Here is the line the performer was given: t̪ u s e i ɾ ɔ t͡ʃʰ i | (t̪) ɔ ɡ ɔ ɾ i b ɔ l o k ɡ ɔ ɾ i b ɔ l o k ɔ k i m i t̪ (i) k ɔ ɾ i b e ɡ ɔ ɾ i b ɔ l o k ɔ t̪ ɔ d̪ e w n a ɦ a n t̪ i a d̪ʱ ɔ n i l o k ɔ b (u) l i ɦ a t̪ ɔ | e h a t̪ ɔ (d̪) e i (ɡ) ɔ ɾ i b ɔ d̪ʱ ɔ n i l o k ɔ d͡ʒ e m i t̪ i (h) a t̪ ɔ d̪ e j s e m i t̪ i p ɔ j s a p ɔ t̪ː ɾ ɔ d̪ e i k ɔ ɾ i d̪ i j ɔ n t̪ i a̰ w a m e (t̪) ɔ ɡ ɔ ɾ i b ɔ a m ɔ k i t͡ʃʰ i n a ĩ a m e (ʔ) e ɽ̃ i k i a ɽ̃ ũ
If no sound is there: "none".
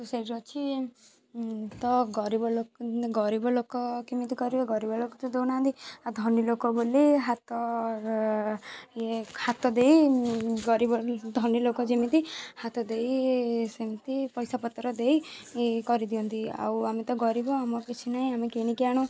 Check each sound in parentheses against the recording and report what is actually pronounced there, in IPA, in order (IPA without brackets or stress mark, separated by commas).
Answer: t̪, i, o, d̪, ɡ, h, t̪, k